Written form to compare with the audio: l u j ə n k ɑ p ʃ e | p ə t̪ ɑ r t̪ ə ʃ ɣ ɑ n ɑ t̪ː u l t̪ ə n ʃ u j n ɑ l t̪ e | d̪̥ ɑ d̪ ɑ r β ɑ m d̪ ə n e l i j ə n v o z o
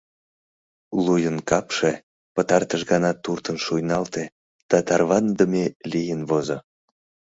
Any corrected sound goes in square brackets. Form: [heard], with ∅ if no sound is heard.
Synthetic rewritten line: l u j ə n k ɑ p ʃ e | p ə t̪ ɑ r t̪ ə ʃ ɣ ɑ n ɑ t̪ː u [r] t̪ ə n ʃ u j n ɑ l t̪ e | d̪̥ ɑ [t̪] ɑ r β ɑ [n] d̪ ə [m] e l i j ə n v o z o